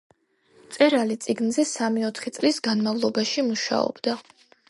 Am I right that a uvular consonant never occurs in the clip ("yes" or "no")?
no